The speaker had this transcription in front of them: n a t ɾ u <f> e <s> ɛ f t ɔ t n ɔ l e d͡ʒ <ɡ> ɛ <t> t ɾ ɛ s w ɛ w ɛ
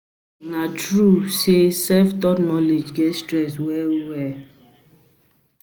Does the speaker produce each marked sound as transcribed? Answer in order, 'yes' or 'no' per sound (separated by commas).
no, yes, yes, no